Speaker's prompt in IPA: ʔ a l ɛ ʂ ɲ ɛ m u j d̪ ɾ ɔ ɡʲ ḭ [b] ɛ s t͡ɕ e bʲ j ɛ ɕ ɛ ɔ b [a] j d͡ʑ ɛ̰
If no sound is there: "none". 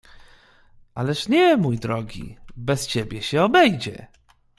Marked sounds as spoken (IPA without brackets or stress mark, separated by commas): b, ɛ